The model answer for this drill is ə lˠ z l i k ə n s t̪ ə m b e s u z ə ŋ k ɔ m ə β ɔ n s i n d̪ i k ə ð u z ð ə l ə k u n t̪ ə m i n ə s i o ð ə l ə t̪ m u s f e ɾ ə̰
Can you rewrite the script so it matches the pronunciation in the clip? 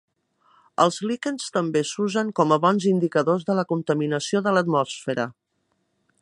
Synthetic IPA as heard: ə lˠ z l i k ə n s t̪ ə m b e s u z ə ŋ k ɔ m ə β ɔ n z i n d̪ i k ə ð o z ð ə l ə k u n t̪ ə m i n ə s i o ð ə l ə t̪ m ɔ s f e ɾ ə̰